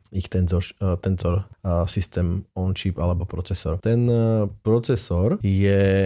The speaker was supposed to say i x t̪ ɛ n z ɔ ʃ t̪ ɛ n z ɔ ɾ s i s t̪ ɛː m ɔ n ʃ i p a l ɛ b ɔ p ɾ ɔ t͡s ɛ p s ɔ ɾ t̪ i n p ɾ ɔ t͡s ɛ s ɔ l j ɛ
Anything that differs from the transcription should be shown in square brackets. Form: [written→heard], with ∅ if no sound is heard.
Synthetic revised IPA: i x t̪ ɛ n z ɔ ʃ t̪ ɛ n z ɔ ɾ s i s t̪ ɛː m ɔ n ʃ i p a l ɛ b ɔ p ɾ ɔ t͡s ɛ [p→∅] s ɔ ɾ t̪ [i→ɛ] n p ɾ ɔ t͡s ɛ s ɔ [l→ɾ] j ɛ